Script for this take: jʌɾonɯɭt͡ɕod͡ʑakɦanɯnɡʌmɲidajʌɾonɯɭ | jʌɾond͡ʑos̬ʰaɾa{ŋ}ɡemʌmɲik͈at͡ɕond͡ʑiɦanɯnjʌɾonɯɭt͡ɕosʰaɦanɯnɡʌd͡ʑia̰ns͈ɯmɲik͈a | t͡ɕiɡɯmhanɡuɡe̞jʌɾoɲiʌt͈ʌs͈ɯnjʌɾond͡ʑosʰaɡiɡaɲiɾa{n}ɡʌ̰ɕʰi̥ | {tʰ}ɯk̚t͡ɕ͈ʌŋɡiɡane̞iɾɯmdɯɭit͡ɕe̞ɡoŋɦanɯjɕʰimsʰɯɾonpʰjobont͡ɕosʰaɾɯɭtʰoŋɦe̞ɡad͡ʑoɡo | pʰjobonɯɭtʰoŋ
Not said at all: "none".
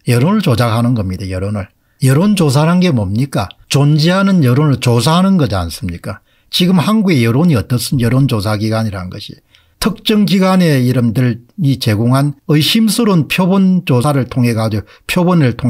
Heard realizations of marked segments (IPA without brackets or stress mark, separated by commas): n, n, tʰ